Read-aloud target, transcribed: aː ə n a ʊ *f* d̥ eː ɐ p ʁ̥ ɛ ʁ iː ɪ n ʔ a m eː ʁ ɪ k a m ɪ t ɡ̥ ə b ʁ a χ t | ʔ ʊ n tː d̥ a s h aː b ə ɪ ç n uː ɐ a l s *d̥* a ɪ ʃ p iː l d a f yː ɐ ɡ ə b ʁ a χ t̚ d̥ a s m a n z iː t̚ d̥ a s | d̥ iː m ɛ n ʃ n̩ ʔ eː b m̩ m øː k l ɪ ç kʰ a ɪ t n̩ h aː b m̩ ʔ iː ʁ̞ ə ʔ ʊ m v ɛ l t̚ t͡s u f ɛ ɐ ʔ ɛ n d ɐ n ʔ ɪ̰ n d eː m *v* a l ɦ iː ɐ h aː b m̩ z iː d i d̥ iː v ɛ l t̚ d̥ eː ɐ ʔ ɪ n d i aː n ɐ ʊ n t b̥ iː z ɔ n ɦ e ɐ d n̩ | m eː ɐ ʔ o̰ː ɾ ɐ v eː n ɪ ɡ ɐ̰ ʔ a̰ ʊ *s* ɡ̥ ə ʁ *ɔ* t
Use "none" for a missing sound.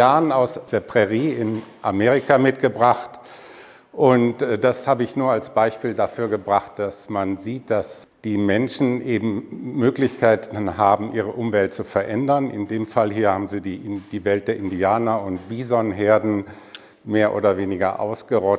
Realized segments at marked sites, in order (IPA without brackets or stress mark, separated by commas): s, b̥, f, s, ɔ